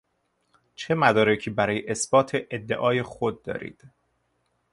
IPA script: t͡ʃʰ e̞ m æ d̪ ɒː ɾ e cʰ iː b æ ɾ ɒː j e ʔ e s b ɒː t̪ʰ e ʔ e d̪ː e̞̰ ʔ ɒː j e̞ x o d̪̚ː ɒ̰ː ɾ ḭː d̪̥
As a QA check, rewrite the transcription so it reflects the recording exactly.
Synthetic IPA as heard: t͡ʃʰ e̞ m æ d̪ ɒː ɾ e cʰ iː b æ ɾ ɒː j e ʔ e s b ɒː t̪ʰ e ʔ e d̪ː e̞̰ ʔ ɒː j e̞ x o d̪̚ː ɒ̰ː ɾ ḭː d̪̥